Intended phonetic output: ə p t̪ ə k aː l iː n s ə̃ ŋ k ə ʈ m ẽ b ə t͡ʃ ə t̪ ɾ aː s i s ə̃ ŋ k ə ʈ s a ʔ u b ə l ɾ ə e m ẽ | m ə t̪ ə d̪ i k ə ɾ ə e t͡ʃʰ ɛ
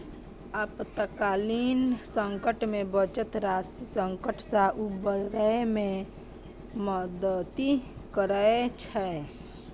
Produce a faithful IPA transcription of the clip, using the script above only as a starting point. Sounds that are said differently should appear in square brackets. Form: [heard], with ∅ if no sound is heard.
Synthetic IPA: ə p t̪ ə k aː l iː n s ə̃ ŋ k ə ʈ m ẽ b ə t͡ʃ ə t̪ ɾ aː s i s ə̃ ŋ k ə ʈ s a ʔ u b ə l ɾ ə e m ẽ | m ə [d̪] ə [t̪] i k ə ɾ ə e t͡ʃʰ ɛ